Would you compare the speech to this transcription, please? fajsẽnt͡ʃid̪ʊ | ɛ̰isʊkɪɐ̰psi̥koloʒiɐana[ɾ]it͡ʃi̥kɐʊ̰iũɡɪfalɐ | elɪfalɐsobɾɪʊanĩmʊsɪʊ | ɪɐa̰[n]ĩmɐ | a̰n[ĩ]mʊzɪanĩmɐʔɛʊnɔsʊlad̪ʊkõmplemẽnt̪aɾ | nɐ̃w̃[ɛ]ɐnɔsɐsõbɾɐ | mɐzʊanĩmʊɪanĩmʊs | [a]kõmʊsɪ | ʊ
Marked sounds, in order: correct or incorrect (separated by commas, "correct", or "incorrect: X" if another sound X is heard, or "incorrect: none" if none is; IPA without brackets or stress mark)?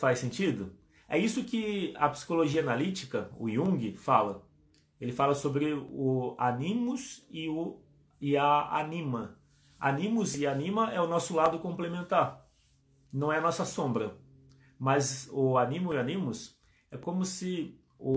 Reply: incorrect: l, correct, correct, correct, incorrect: ɛ